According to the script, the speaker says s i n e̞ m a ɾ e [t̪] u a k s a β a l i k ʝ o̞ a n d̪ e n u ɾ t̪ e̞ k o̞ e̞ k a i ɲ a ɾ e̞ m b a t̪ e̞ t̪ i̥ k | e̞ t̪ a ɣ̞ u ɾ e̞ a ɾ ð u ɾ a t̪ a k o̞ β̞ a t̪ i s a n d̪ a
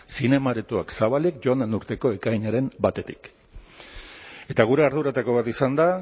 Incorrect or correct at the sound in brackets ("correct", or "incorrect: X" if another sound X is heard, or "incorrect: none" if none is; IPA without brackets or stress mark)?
correct